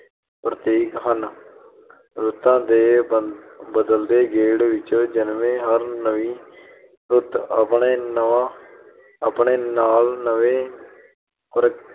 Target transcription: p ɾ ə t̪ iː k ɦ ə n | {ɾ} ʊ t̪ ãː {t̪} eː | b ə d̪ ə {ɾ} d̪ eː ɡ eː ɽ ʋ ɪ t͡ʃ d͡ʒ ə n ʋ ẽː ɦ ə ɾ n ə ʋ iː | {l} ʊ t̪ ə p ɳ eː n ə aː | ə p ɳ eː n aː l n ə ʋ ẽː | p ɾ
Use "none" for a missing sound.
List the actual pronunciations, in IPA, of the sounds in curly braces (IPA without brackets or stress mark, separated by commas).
ɾ, d̪, l, ɾ